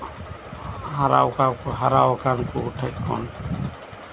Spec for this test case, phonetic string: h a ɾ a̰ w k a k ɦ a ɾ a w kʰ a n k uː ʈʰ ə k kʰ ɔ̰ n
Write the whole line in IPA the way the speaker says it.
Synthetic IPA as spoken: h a ɾ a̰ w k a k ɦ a ɾ a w k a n k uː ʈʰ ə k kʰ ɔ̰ n

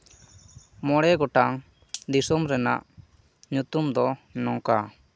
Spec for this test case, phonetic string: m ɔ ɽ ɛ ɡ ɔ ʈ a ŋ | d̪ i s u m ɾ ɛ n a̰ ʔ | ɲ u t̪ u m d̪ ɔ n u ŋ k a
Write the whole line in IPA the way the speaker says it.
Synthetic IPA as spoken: m ɔ ɽ ɛ ɡ ɔ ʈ a ŋ | d̪ i s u m ɾ ɛ n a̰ ʔ | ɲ u t̪ u m d̪ ɔ n ɔ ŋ k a

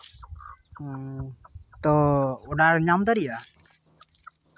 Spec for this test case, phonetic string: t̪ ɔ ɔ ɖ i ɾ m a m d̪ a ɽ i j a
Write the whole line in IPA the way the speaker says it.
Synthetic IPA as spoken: t̪ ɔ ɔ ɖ a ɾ ɲ a m d̪ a ɾ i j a

